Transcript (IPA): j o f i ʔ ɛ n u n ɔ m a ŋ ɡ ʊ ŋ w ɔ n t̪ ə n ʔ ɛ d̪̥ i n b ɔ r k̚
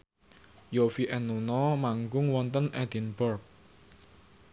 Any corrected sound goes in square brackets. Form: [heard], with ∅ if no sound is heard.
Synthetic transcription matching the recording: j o f i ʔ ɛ n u n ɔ m a ŋ ɡ ʊ ŋ w ɔ n t̪ ə n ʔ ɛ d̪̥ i n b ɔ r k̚